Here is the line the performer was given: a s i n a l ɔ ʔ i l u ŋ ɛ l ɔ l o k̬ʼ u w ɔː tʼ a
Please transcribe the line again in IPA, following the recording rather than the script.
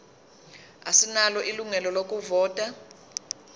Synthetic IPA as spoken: a s i n a l ɔ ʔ i l u ŋ ɛ l ɔ l o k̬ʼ u v ɔː tʼ a